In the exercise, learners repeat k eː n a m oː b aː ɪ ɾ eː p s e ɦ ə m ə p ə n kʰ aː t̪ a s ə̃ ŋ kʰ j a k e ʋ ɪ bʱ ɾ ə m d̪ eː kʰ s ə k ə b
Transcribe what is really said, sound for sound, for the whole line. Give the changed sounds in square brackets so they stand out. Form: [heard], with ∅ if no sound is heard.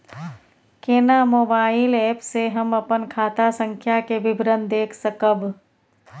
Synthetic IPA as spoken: k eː n a m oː b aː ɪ [l] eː p s e ɦ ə m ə p ə n kʰ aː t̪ a s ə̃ ŋ kʰ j a k e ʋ ɪ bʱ ɾ ə [n] d̪ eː kʰ s ə k ə b

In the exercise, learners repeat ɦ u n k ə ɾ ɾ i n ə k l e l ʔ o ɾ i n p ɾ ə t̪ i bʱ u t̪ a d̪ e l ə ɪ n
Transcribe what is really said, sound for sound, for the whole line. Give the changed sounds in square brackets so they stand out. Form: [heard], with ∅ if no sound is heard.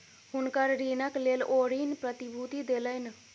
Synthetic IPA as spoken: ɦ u n k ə ɾ ɾ i n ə k l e l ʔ o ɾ i n p ɾ ə t̪ i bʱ u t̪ [i] d̪ e l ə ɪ n

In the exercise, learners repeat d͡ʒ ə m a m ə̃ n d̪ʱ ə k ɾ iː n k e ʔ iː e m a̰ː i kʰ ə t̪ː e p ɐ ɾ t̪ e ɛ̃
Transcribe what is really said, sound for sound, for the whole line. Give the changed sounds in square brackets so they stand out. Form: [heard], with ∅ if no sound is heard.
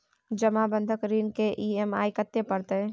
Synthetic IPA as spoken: d͡ʒ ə m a [b] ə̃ n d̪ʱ ə k ɾ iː n k e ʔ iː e m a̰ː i [k] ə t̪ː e p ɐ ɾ t̪ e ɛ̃

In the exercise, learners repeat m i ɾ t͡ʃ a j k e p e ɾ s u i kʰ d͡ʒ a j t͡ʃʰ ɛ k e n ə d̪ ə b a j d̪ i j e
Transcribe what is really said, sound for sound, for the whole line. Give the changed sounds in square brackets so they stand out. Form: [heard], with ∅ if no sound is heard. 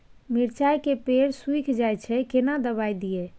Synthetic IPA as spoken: m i ɾ t͡ʃ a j k e p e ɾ s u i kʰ d͡ʒ a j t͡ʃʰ ɛ k e n [a] d̪ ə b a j d̪ i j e

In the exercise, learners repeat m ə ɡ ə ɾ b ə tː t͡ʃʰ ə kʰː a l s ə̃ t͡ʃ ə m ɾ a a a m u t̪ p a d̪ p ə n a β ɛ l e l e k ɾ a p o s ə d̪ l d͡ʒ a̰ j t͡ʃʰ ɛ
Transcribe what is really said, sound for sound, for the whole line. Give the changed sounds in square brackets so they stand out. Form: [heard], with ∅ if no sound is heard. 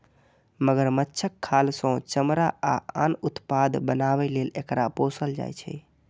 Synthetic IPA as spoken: m ə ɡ ə ɾ [m] ə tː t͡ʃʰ ə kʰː a l s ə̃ t͡ʃ ə m ɾ a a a [n] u t̪ p a d̪ [b] ə n a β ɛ l e l e k ɾ a p o s ə [∅] l d͡ʒ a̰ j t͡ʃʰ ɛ

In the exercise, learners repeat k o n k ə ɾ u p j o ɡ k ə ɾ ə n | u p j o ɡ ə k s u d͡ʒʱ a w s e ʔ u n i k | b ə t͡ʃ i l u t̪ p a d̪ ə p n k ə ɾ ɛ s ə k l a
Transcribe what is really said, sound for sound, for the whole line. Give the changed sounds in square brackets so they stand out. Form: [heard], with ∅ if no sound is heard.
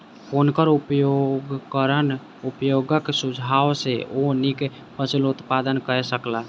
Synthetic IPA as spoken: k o n k ə ɾ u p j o ɡ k ə ɾ ə n | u p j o ɡ ə k s u d͡ʒʱ a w s e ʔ [o] n i k | [p] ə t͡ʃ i l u t̪ p a d̪ ə [∅] n k ə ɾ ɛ s ə k l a

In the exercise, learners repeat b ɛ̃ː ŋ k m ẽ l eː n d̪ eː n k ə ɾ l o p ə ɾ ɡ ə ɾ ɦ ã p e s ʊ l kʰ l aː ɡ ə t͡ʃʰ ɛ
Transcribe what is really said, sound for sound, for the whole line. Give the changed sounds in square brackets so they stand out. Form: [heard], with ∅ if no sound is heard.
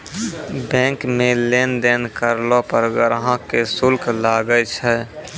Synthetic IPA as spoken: b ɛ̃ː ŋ k m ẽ l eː n d̪ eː n k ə ɾ l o p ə ɾ ɡ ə ɾ ɦ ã [k] e s ʊ l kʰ l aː ɡ ə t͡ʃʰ ɛ

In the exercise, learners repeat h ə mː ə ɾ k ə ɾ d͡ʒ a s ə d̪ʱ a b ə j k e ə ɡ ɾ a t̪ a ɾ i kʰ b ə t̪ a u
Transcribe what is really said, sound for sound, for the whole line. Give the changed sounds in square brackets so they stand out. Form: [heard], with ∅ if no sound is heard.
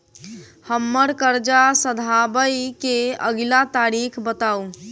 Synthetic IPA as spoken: h ə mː ə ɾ k ə ɾ d͡ʒ a s ə d̪ʱ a b ə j k e ə ɡ [l] a t̪ a ɾ i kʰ b ə t̪ a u

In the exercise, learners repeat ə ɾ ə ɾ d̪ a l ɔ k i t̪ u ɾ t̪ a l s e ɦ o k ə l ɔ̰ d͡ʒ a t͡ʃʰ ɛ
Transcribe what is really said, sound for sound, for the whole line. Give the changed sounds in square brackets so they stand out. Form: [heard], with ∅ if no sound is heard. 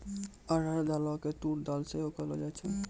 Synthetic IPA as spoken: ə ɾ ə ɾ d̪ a l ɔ k [e] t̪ u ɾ [d̪] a l s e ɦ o k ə l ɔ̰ d͡ʒ a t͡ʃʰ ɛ

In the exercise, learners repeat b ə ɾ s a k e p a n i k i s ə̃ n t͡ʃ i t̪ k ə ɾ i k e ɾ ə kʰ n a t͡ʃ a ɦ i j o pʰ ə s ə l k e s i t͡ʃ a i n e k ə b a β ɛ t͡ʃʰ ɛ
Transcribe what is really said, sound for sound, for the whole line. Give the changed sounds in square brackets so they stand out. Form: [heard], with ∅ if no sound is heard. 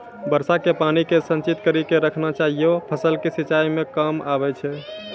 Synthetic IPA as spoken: b ə ɾ s a k e p a n i k [e] s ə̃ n t͡ʃ i t̪ k ə ɾ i k e ɾ ə kʰ n a t͡ʃ a ɦ i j o pʰ ə s ə l k e s i t͡ʃ a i [m] e k ə [m] a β ɛ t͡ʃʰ ɛ

